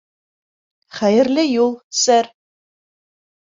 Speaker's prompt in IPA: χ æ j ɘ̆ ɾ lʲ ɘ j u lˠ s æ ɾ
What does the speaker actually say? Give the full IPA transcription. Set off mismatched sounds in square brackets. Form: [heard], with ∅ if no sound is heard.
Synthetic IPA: χ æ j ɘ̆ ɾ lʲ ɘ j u lˠ s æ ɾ